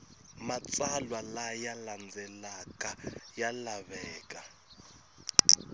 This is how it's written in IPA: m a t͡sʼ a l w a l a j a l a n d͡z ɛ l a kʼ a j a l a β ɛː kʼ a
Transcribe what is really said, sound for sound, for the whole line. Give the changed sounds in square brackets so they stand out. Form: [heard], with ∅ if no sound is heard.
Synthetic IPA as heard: m a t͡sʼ a l w a l a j a l a n d͡z ɛ l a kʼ a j a l a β ɛː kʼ a